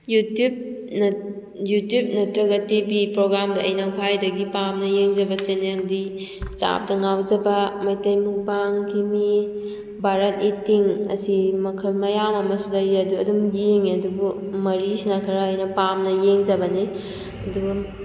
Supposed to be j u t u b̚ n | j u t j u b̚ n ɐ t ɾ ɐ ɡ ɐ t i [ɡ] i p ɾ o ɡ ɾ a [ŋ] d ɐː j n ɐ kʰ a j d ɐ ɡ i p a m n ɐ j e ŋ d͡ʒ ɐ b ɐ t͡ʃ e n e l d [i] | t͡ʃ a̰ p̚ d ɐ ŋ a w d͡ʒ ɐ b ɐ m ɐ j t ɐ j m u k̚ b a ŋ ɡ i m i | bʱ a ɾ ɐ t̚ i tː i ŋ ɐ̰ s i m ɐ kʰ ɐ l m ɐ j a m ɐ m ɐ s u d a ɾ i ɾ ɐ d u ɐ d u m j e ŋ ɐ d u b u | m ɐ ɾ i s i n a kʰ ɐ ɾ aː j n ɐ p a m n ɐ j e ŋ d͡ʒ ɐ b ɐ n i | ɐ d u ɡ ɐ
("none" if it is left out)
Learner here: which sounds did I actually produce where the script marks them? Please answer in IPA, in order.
b, m, i

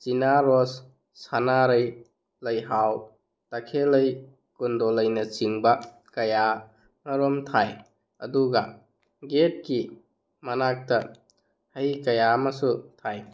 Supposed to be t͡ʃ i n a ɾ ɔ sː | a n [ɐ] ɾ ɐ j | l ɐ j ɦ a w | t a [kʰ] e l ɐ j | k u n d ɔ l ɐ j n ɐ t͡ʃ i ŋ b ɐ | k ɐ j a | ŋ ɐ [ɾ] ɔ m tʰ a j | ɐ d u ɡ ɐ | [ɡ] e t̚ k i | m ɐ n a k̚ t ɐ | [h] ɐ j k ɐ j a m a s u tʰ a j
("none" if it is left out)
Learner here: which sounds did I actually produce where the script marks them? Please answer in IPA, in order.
a, kʰ, ɾ, ɡ, h

